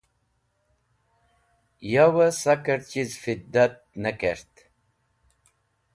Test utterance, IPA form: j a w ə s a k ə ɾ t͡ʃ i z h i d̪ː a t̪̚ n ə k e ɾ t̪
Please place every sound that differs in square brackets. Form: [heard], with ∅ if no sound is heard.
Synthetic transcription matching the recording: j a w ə s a k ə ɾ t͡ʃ i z [f] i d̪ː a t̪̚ n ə k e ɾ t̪